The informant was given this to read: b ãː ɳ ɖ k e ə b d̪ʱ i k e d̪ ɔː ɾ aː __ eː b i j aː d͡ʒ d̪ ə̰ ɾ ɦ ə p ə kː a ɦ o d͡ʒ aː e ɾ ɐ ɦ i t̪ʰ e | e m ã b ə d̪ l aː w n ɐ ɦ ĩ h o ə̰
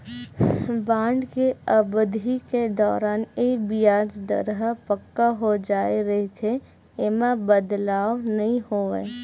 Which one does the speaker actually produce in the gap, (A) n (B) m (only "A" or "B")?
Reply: A